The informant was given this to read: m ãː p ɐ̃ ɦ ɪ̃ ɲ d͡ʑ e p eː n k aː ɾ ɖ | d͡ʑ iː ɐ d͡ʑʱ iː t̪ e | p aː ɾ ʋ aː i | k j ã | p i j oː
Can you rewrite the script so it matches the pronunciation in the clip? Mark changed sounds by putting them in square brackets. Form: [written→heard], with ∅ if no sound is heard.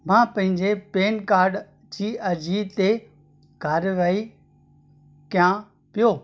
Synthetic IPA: m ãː p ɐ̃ ɦ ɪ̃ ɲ d͡ʑ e p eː n k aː ɾ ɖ | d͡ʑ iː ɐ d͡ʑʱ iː t̪ e | [p→k] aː ɾ ʋ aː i | k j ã | p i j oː